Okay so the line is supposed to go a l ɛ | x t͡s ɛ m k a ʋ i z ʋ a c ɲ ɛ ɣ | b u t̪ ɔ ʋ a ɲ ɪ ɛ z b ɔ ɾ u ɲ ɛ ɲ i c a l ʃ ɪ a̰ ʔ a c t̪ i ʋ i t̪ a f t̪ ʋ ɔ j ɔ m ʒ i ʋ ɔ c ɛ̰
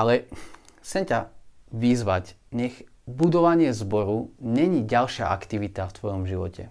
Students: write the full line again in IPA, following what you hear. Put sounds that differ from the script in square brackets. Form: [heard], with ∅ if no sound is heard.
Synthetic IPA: a l ɛ | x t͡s ɛ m [c] a ʋ i z ʋ a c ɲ ɛ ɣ | b u [d̪] ɔ ʋ a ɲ ɪ ɛ z b ɔ ɾ u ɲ ɛ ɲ i [ɟ] a l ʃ ɪ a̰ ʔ a [k] t̪ i ʋ i t̪ a f t̪ ʋ ɔ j ɔ m ʒ i ʋ ɔ c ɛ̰